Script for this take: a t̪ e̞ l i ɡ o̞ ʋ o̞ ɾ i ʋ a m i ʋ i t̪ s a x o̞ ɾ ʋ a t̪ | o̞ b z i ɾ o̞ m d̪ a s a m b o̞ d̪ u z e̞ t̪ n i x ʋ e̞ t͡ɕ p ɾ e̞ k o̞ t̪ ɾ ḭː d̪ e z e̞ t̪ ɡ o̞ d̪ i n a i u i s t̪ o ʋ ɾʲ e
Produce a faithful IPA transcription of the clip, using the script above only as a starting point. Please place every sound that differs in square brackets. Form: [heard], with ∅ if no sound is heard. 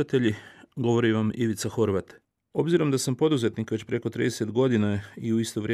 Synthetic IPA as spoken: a t̪ e̞ [ʎ] i ɡ o̞ ʋ o̞ ɾ i ʋ a m i ʋ i t̪ s a x o̞ ɾ ʋ a t̪ | o̞ b z i ɾ o̞ m d̪ a s a m [p] o̞ d̪ u z e̞ t̪ n i [k] ʋ e̞ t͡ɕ p ɾ e̞ k o̞ t̪ ɾ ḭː d̪ e [s] e̞ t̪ ɡ o̞ d̪ i n a i u i s t̪ o ʋ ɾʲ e